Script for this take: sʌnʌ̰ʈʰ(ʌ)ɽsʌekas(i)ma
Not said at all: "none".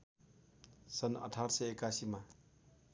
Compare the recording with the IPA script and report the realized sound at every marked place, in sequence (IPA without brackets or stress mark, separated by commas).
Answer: a, i